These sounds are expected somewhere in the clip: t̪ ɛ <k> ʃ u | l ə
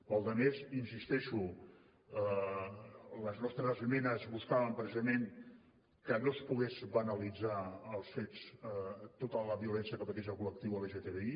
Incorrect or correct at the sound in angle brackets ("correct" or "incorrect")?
incorrect